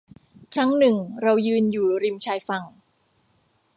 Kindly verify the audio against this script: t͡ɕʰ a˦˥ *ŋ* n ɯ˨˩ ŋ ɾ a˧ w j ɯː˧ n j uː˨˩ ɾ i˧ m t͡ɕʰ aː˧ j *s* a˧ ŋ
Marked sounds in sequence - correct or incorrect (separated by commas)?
correct, incorrect